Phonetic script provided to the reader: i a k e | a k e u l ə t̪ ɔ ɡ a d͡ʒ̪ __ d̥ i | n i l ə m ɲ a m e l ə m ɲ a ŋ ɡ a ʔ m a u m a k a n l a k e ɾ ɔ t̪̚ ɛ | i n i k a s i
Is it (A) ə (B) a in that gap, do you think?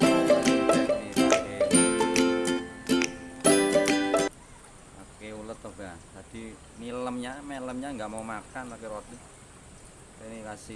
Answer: B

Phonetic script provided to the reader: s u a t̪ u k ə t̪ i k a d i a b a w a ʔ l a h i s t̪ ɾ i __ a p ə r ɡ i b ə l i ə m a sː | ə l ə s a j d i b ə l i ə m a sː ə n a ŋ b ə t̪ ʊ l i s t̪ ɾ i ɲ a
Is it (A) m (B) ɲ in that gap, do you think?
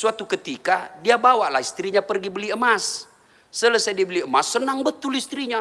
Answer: B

